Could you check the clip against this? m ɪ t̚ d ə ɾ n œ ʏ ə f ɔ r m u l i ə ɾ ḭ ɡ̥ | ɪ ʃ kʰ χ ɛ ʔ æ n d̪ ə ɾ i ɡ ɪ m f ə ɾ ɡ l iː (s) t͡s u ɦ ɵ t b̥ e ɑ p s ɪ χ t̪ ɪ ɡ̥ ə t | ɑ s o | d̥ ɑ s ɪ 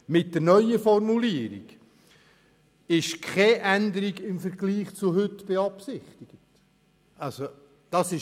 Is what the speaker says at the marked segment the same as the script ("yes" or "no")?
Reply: no